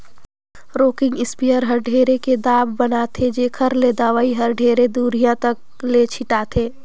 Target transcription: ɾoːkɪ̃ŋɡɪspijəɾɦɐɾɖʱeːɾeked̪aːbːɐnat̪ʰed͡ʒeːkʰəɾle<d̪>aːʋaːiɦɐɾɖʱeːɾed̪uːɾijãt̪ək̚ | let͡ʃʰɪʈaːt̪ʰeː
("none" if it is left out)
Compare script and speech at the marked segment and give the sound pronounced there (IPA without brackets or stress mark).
d̪